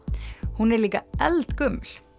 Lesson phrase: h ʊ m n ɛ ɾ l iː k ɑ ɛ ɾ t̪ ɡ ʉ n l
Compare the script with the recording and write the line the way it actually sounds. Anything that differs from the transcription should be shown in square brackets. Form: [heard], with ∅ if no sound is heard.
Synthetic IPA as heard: h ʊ [∅] n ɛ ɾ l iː k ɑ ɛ [l] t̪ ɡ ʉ [m] l